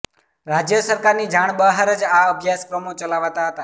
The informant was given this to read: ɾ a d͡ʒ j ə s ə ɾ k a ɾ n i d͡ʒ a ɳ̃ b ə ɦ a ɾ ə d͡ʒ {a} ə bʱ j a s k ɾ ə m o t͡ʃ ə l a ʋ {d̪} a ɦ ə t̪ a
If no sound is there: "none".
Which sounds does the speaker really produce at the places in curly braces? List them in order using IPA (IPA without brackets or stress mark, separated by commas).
a, t̪